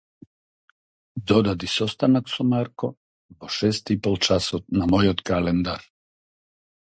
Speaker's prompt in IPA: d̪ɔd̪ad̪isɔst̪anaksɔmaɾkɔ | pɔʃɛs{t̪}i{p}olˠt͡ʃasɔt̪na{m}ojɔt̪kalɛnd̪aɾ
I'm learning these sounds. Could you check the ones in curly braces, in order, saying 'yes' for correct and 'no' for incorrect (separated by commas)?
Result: yes, yes, yes